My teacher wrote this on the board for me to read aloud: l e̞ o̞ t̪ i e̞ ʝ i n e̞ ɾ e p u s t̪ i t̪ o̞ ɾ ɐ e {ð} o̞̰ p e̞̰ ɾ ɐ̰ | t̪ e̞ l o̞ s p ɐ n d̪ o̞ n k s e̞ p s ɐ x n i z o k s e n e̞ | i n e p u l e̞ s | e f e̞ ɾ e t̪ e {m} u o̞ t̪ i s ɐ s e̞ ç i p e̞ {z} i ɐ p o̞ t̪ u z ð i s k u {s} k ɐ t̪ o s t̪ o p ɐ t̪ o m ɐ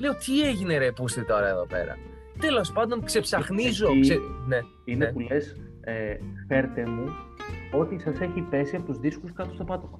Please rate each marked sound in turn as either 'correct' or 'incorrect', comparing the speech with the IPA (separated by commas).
correct, correct, incorrect, correct